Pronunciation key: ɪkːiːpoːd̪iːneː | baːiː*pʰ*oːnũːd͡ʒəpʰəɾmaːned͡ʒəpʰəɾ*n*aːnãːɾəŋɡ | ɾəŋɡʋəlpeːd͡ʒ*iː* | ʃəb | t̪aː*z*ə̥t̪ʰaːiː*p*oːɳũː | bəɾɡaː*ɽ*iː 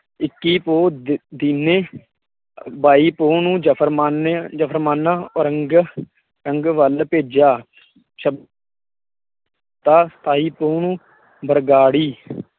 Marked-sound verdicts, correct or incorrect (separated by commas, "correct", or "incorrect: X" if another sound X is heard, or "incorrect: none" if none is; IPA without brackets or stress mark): incorrect: p, incorrect: m, incorrect: aː, incorrect: s, correct, correct